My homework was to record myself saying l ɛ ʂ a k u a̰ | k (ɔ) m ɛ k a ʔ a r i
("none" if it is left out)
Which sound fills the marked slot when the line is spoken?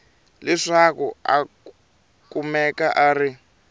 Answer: u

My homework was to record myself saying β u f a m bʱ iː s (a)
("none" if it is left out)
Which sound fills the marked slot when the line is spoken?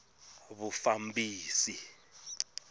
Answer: i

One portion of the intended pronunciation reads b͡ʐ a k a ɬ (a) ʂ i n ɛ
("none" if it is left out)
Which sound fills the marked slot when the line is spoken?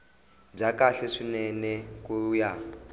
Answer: ɛ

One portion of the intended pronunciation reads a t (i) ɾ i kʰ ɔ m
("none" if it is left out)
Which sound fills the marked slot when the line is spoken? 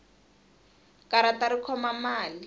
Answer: a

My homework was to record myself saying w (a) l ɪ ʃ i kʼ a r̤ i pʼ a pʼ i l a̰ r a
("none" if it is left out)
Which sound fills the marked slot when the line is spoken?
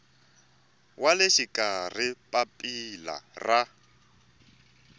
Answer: a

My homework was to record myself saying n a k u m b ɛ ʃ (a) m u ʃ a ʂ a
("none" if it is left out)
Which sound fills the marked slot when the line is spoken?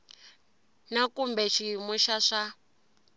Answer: i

